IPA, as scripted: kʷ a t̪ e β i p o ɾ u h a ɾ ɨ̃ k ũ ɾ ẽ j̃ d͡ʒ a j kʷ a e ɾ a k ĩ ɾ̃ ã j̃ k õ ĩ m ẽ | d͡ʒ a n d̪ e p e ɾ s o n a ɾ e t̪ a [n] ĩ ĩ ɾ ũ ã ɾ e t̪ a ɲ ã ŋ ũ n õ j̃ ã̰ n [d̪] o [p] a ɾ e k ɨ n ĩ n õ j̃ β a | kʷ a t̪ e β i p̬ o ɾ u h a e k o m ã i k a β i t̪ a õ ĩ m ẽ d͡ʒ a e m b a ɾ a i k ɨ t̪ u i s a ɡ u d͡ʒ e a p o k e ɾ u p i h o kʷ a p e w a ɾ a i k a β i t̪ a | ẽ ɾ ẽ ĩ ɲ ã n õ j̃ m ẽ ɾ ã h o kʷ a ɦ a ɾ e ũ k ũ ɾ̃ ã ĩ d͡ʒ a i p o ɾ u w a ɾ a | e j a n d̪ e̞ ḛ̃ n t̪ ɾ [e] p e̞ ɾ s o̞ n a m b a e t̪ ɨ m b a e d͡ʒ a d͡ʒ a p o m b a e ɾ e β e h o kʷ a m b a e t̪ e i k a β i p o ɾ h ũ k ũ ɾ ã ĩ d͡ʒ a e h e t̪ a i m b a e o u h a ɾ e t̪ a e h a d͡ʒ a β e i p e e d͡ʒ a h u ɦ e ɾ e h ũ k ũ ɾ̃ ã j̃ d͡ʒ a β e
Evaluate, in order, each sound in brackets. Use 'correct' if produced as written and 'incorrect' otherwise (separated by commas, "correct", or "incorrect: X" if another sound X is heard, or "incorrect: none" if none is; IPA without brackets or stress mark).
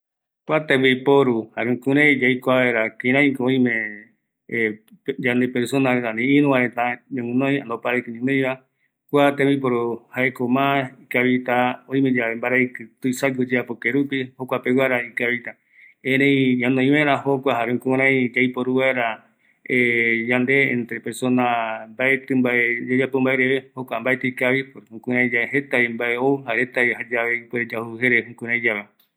correct, correct, correct, correct